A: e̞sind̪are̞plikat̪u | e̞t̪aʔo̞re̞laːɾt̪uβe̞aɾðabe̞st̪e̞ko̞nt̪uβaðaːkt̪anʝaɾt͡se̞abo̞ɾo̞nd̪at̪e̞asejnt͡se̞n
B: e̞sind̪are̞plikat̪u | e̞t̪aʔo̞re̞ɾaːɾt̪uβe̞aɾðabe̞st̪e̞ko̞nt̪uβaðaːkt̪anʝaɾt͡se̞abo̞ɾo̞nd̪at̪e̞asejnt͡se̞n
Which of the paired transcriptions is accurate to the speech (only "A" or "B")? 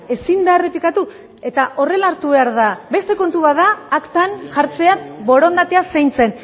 A